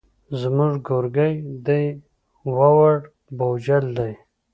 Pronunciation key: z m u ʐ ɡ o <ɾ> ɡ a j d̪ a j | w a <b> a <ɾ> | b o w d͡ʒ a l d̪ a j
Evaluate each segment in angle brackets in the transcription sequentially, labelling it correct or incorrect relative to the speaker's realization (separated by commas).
correct, incorrect, incorrect